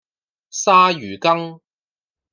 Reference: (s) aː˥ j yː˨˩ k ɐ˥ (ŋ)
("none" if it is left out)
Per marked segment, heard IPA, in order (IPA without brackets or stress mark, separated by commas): s, ŋ